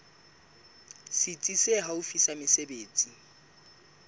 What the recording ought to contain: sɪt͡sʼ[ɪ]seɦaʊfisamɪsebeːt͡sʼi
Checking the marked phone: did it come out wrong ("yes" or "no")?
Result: yes